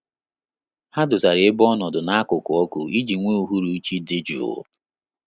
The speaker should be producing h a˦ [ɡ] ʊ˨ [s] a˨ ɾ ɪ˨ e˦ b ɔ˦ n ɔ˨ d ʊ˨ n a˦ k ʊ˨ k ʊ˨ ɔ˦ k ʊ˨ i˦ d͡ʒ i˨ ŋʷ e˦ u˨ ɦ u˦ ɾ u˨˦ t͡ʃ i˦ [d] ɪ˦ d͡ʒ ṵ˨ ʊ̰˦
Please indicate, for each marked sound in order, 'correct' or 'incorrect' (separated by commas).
incorrect, correct, correct